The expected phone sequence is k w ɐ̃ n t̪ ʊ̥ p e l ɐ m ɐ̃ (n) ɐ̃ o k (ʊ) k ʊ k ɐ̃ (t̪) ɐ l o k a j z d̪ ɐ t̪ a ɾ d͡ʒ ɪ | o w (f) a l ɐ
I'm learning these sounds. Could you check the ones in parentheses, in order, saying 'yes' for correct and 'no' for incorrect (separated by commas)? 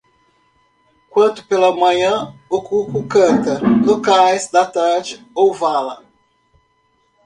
no, no, yes, no